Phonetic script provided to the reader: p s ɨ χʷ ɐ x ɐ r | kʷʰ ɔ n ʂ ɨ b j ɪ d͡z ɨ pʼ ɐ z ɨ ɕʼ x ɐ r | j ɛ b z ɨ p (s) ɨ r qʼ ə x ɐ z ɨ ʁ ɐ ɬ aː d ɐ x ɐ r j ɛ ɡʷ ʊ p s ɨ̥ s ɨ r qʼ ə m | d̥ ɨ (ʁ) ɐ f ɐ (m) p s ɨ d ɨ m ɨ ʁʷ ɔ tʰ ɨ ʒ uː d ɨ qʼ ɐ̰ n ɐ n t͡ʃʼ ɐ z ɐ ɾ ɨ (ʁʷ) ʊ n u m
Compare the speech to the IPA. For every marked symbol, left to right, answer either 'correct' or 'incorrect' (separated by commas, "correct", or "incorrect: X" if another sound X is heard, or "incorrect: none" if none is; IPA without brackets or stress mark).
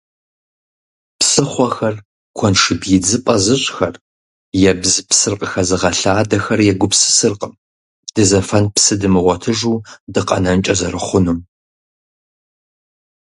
correct, incorrect: z, incorrect: n, incorrect: χʷ